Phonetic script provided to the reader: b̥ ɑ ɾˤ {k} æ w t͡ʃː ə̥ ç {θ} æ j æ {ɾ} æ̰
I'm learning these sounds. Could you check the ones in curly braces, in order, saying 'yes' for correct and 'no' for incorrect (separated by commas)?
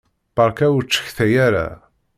yes, yes, yes